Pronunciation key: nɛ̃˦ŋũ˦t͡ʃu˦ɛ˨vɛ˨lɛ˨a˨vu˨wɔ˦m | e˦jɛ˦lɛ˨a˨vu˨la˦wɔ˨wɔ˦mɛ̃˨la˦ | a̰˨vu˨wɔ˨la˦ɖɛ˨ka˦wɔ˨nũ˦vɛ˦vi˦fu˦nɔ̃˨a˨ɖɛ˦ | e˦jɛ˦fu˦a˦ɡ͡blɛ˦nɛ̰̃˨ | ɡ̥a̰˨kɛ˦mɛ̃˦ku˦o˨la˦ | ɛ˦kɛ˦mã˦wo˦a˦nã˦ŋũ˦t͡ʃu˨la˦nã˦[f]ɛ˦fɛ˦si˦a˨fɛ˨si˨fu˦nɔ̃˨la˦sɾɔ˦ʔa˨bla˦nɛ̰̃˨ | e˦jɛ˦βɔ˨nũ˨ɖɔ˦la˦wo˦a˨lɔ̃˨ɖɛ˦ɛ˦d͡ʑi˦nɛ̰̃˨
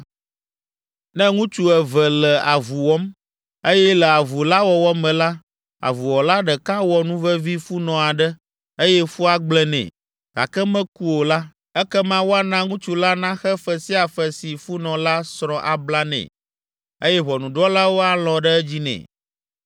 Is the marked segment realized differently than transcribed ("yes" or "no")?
yes